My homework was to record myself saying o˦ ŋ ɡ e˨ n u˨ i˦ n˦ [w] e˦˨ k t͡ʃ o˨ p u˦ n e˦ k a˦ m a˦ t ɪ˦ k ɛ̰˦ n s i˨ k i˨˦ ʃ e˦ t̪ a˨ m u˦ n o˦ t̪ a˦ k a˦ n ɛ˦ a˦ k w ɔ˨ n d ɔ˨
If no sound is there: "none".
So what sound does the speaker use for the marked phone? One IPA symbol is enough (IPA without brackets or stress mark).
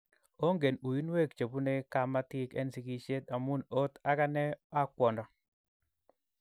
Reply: w